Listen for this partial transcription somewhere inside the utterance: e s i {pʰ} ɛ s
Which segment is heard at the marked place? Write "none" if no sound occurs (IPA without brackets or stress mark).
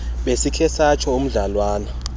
kʰ